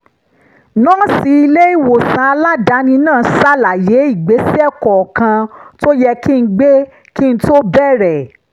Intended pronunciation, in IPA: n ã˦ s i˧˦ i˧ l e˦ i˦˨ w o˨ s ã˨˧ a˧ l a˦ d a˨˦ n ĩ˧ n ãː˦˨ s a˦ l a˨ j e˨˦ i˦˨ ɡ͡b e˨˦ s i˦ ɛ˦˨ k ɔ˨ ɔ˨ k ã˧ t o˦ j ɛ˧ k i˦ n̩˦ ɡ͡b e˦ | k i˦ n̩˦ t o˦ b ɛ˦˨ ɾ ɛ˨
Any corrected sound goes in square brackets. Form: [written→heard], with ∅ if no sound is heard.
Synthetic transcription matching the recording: n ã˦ s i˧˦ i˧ l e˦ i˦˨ w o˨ s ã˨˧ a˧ l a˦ d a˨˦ n ĩ˧ n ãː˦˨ s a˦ l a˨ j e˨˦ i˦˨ ɡ͡b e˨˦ s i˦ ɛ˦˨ k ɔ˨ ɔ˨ k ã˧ t o˦ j ɛ˧ k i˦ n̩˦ ɡ͡b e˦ | k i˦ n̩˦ t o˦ b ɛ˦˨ ɾ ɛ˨